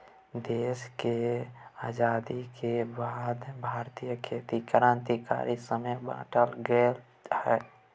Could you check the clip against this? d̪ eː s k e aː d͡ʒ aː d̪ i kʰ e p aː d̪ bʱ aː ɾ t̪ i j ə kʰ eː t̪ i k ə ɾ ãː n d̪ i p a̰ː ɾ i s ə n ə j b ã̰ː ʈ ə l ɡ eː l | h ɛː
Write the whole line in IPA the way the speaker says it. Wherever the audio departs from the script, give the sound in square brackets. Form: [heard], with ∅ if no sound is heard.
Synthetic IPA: d̪ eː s k e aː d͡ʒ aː d̪ i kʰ e [b] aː d̪ bʱ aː ɾ t̪ i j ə kʰ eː t̪ i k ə ɾ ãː n [t̪] i [k] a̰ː ɾ i s ə [m] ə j b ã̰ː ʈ ə l ɡ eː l | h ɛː